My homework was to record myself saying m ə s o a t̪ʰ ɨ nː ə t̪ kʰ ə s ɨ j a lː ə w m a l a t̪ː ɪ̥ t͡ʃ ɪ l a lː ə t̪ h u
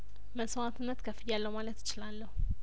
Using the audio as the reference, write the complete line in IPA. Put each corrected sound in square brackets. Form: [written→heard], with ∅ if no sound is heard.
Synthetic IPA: m ə s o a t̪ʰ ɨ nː ə t̪ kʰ ə [s→f] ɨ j a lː ə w m a l [a→ə] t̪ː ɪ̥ t͡ʃ ɪ l a lː ə [t̪→∅] h u